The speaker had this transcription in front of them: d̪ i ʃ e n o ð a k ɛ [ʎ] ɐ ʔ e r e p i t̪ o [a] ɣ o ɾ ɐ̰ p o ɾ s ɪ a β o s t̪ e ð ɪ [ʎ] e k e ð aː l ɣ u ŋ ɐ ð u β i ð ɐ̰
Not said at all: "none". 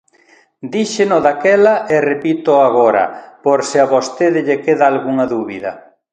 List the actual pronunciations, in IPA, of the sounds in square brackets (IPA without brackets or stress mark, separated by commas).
l, a, ʎ